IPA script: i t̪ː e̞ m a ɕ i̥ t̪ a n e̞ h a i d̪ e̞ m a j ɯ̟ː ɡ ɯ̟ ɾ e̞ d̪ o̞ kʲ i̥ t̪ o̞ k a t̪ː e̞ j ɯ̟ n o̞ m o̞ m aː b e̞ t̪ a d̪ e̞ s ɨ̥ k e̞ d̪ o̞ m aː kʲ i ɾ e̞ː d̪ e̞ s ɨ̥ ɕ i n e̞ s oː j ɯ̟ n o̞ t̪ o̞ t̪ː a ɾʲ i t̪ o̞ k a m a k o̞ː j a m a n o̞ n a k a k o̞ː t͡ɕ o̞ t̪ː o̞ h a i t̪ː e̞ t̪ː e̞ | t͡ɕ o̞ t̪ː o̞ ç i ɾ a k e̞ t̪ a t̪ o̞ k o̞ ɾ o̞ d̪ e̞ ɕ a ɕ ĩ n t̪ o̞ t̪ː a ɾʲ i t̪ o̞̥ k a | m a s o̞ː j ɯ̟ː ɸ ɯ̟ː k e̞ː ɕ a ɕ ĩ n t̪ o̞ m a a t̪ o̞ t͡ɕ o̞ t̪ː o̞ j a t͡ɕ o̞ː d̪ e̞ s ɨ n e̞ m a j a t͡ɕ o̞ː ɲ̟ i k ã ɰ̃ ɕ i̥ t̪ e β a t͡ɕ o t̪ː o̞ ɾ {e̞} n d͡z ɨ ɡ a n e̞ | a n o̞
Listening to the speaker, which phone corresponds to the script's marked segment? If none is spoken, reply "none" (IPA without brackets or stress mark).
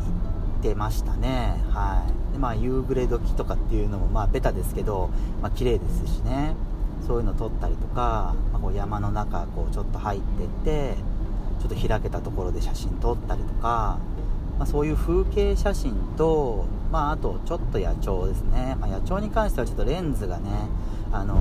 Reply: ẽ̞